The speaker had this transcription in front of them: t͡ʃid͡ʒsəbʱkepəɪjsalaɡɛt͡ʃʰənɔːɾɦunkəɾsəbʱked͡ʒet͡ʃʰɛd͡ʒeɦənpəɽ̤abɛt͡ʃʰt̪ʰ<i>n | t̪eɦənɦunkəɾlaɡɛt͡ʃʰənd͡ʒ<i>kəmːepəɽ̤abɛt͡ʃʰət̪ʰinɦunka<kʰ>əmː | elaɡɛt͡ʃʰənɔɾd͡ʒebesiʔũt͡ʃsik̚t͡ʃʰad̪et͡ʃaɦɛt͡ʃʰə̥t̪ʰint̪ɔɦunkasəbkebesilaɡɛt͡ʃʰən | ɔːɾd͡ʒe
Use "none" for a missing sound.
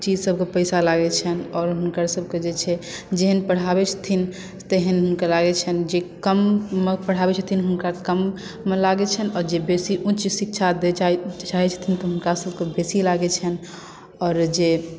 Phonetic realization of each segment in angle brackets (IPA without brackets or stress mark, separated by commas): i, e, k